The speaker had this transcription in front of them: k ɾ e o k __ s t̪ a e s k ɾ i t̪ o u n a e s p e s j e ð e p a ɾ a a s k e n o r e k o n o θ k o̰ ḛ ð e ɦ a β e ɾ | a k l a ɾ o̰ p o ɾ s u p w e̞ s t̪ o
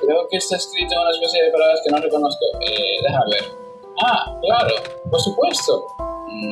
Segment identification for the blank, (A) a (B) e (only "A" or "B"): B